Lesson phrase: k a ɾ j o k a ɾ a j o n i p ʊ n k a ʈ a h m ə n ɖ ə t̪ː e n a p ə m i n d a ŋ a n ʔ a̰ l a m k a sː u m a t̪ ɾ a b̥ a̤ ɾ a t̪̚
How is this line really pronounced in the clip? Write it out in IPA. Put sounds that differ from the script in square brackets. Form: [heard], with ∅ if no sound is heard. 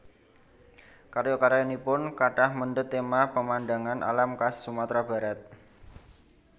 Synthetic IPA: k a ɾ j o k a ɾ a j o n i p ʊ n k a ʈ a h m ə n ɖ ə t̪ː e [m] a p ə m [a] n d a ŋ a n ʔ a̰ l a m k a sː u m a t̪ ɾ a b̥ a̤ ɾ a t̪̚